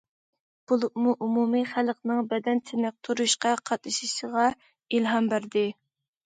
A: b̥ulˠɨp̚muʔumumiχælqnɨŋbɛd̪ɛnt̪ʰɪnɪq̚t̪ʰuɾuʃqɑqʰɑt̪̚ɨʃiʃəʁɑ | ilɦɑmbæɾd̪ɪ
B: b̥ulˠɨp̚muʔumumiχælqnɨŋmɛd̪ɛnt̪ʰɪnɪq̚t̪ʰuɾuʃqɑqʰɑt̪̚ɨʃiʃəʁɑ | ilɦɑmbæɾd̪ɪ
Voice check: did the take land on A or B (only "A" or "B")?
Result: A